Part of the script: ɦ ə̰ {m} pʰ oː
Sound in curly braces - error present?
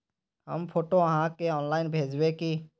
no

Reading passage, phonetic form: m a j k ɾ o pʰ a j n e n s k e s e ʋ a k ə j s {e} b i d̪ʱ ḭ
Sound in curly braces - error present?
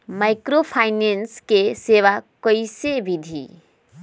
no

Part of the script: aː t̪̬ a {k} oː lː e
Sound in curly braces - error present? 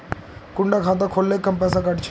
yes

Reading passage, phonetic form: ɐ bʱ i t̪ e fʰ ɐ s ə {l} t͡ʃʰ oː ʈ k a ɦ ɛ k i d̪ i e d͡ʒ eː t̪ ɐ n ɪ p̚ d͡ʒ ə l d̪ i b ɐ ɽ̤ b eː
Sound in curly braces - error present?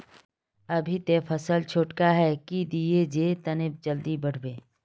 no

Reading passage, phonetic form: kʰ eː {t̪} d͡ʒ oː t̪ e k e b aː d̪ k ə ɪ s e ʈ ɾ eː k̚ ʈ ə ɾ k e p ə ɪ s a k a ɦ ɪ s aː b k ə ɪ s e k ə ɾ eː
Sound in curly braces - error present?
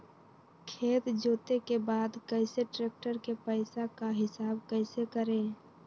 no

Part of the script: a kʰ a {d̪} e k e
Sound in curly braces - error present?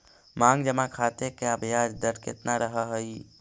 yes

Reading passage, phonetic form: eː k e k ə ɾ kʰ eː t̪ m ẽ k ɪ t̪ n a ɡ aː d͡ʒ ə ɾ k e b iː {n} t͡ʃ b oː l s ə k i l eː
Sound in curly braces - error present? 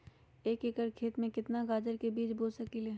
yes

